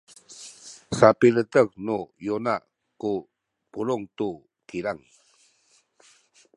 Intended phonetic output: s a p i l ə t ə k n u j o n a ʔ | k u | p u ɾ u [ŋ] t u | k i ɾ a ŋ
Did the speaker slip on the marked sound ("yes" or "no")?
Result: no